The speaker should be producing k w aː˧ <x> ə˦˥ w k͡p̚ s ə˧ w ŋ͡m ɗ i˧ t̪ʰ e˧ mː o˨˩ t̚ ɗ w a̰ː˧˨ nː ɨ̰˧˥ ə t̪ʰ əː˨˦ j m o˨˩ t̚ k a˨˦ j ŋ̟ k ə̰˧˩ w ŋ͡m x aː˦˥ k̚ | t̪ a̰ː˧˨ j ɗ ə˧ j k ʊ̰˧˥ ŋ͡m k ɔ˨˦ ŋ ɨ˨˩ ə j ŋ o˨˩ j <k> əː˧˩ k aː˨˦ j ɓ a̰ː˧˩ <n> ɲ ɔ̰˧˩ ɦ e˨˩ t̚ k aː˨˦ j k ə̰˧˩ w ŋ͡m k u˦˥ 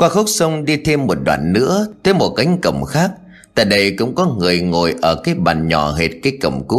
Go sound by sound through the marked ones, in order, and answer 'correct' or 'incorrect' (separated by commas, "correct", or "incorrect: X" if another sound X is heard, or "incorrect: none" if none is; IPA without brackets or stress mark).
correct, incorrect: ʔ, correct